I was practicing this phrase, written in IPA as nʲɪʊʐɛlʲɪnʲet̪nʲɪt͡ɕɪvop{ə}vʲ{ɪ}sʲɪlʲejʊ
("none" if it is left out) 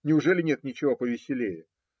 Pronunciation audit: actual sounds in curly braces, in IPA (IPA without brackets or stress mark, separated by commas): ə, ɪ